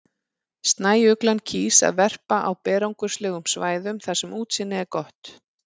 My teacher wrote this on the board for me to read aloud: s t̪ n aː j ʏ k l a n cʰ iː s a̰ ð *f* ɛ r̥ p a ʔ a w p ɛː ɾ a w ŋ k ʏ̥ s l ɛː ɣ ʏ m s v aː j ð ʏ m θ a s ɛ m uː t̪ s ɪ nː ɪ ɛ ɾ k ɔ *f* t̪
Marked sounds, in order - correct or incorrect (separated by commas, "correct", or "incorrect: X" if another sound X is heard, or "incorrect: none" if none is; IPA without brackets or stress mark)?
incorrect: v, incorrect: h